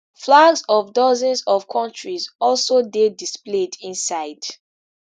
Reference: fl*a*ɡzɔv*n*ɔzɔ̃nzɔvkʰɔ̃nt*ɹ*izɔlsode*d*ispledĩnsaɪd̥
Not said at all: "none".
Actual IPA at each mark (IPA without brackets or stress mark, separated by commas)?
a, d, ɹ, d